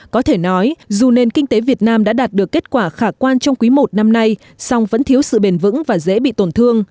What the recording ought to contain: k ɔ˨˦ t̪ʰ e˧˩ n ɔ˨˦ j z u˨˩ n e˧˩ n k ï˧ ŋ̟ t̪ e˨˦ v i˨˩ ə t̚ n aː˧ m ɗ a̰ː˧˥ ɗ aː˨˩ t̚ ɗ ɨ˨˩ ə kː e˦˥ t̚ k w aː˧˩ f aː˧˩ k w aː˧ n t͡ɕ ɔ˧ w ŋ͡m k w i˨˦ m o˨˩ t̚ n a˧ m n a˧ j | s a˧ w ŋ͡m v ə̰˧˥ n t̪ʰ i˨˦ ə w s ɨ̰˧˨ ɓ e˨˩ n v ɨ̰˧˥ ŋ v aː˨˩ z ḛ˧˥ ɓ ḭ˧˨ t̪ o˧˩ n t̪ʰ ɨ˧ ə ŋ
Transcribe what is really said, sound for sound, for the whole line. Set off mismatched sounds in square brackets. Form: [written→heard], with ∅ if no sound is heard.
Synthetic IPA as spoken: k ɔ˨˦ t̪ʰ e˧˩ n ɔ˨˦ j z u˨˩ n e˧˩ n k ï˧ ŋ̟ t̪ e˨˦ v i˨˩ ə t̚ n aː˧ m ɗ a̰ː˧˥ ɗ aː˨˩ t̚ ɗ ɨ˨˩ ə kː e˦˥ t̚ k w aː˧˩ [f→x] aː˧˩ k w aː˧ n t͡ɕ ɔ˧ w ŋ͡m k w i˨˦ m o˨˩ t̚ n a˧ m n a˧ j | s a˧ w ŋ͡m v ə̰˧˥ n t̪ʰ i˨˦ ə w s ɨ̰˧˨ ɓ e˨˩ n v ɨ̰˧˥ ŋ v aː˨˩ z ḛ˧˥ ɓ ḭ˧˨ t̪ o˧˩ n t̪ʰ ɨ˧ ə ŋ